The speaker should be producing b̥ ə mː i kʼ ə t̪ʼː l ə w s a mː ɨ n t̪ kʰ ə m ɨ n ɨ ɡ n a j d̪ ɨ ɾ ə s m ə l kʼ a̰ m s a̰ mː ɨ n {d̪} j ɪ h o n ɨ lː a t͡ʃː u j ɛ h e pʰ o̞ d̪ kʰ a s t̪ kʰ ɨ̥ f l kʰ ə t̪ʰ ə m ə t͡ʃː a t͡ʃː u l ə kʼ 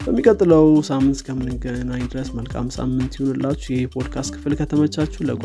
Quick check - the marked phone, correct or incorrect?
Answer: incorrect